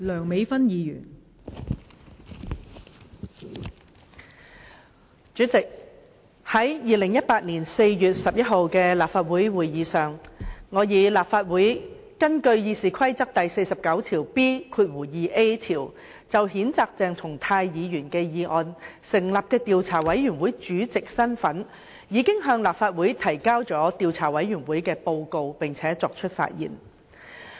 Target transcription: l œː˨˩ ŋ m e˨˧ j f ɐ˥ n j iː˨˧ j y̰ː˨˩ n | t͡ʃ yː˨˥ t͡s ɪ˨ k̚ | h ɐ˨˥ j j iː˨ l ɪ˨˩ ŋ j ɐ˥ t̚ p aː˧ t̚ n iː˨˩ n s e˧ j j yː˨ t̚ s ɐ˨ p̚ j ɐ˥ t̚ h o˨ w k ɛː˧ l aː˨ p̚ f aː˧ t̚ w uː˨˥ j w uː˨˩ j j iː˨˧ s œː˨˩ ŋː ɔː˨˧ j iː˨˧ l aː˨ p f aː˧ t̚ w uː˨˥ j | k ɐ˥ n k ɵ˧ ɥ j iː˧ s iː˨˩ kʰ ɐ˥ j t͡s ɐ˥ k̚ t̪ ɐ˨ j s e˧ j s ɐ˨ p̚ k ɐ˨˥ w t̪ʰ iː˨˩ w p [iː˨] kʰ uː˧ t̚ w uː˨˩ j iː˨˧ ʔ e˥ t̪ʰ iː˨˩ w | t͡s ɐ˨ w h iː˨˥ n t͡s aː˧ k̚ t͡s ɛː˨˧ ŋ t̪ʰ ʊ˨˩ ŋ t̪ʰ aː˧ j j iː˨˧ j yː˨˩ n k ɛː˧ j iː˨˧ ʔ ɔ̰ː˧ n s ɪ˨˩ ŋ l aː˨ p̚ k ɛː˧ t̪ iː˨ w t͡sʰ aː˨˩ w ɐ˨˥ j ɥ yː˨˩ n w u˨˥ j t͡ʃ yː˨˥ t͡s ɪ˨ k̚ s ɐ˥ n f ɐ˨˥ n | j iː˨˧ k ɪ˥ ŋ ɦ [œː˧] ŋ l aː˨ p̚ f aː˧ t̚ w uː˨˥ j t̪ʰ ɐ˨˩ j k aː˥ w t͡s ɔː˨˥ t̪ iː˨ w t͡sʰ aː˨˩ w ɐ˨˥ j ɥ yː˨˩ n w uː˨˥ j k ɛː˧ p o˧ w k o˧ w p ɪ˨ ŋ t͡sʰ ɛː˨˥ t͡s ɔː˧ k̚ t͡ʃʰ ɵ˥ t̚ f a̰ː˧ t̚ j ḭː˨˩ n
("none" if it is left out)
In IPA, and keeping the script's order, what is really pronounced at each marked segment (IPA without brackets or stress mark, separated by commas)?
iː˥, œː˧